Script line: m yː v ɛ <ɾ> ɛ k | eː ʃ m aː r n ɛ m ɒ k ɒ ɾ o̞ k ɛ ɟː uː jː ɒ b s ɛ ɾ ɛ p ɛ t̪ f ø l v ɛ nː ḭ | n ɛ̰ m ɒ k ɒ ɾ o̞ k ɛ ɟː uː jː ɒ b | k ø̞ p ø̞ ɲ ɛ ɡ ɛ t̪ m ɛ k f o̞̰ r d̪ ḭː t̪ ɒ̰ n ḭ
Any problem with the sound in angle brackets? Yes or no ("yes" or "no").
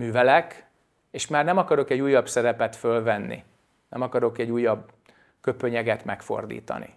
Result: yes